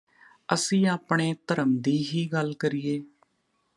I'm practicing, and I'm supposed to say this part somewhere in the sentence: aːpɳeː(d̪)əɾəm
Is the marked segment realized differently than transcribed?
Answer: yes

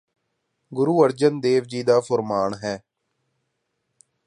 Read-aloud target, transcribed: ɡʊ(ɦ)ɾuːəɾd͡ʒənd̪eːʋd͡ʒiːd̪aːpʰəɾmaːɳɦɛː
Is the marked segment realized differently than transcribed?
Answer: yes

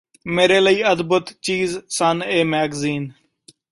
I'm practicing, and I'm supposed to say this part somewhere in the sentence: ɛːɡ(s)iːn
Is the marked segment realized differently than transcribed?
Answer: yes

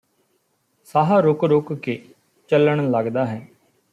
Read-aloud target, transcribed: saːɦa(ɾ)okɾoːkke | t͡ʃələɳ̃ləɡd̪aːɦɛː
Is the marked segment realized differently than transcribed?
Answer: no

